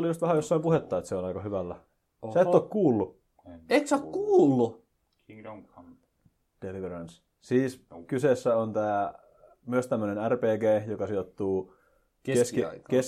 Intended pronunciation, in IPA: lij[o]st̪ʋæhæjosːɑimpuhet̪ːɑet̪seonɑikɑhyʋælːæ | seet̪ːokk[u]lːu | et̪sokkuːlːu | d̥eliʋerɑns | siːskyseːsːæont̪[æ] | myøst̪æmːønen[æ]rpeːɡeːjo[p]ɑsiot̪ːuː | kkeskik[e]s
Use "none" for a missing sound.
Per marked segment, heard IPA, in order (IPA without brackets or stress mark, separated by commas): u, uː, æː, æ, k, e